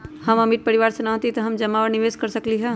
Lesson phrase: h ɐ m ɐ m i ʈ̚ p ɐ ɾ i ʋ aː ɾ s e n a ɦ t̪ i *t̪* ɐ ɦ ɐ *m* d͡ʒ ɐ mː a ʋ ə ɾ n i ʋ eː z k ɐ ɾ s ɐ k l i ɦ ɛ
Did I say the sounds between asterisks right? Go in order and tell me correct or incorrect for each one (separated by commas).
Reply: correct, correct